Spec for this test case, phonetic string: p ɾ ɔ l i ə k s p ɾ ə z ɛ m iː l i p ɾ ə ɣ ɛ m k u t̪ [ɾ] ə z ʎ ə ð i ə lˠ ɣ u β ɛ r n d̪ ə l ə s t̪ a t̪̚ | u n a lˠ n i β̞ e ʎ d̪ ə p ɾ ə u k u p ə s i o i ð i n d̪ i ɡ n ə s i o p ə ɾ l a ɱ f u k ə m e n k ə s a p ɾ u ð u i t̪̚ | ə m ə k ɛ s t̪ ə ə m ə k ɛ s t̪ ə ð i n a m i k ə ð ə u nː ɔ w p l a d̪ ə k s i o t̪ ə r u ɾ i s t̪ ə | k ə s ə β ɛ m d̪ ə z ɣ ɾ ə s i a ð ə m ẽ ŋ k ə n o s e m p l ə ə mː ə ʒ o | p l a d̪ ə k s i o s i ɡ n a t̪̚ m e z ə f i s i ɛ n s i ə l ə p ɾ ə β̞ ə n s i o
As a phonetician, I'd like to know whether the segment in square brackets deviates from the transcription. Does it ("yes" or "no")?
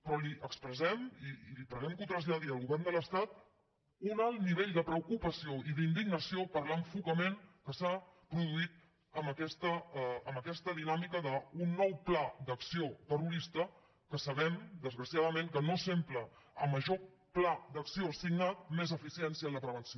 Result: no